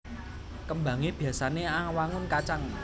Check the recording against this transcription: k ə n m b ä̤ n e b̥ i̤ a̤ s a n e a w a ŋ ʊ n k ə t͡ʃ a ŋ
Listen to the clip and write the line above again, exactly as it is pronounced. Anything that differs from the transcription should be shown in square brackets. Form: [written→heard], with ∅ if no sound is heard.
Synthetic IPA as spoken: k ə [n→∅] m b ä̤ [n→ŋ] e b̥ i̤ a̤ s a n e a w a ŋ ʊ n k [ə→a] t͡ʃ a ŋ